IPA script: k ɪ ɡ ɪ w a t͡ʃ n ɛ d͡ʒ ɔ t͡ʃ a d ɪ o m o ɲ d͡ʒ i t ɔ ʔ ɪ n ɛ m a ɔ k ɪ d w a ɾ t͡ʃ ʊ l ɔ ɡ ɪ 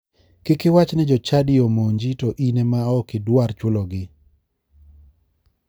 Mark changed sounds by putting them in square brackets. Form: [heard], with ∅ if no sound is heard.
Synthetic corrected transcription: k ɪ [k] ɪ w a t͡ʃ n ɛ d͡ʒ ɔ t͡ʃ a d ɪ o m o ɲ d͡ʒ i t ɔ ʔ [i] n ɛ m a ɔ k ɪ d w a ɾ t͡ʃ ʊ l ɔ ɡ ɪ